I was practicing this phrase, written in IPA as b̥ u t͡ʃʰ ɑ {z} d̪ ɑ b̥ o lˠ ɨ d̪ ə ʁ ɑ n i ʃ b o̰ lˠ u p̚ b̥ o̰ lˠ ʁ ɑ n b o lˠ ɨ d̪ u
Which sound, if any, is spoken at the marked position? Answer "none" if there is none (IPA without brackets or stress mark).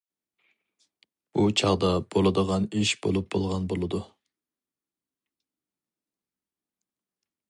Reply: ʁ